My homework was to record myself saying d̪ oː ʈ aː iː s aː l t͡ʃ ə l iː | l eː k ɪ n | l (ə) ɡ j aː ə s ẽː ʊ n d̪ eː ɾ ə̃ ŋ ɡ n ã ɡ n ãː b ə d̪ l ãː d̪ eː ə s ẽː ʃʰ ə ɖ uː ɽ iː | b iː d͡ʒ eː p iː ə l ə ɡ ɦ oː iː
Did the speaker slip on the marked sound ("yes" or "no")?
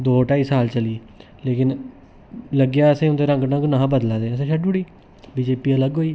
no